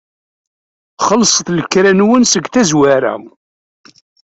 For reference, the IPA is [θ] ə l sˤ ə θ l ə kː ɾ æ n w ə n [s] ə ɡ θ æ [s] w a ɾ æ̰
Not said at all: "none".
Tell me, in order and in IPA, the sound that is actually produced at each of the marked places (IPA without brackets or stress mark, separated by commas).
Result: χ, s, z